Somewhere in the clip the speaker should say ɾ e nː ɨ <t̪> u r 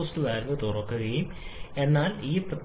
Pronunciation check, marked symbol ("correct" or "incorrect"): correct